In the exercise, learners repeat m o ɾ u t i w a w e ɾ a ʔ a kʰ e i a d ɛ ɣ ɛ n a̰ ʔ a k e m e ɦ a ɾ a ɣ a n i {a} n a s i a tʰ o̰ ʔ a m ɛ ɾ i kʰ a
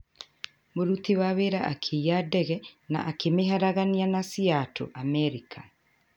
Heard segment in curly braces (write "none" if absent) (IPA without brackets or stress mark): a